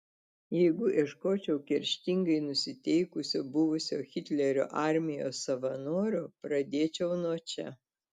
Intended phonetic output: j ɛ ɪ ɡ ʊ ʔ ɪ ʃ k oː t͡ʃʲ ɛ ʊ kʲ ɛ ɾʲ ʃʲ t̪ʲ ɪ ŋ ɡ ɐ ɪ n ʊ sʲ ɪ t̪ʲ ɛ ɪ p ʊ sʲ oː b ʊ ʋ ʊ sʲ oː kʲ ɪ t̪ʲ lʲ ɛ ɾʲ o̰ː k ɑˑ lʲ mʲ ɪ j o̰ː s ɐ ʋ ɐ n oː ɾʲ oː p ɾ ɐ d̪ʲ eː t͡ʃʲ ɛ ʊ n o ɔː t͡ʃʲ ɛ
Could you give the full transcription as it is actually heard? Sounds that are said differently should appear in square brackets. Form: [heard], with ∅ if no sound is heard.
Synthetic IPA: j ɛ ɪ ɡ ʊ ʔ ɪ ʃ k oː t͡ʃʲ ɛ ʊ kʲ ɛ ɾʲ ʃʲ t̪ʲ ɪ ŋ ɡ ɐ ɪ n ʊ sʲ ɪ t̪ʲ ɛ ɪ [k] ʊ sʲ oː b ʊ ʋ ʊ sʲ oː [xʲ] ɪ t̪ʲ lʲ ɛ ɾʲ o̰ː [ʔ] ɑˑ [ɾʲ] mʲ ɪ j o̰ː s ɐ ʋ ɐ n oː ɾʲ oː p ɾ ɐ d̪ʲ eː t͡ʃʲ ɛ ʊ n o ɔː t͡ʃʲ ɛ